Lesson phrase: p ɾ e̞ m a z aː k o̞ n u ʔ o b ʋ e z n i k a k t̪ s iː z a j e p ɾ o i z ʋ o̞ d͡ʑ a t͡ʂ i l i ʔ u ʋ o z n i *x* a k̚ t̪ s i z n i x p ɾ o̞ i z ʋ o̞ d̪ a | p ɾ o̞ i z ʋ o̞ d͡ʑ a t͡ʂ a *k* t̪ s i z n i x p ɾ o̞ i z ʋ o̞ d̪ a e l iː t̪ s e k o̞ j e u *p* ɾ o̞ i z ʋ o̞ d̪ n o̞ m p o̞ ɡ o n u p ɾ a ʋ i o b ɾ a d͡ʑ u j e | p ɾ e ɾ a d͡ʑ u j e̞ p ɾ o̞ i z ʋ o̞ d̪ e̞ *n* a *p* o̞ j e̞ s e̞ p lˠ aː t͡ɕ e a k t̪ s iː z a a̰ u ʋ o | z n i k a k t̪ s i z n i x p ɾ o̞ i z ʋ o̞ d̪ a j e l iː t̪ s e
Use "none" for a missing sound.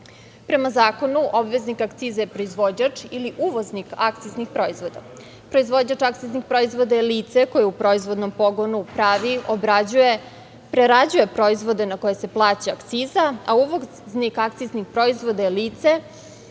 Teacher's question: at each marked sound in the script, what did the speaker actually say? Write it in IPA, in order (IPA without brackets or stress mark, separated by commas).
k, k, p, n, k